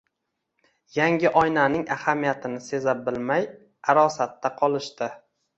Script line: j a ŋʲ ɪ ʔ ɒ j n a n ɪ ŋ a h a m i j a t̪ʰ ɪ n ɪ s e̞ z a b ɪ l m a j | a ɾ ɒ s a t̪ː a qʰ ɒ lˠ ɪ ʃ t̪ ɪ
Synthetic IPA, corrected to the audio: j a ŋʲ ɪ ʔ ɒ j n a n ɪ ŋ a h a m i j a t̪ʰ ɪ n ɪ s e̞ z a b ɪ l m a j | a ɾ ɒ s a t̪ː a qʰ ɒ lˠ ɪ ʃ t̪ ɪ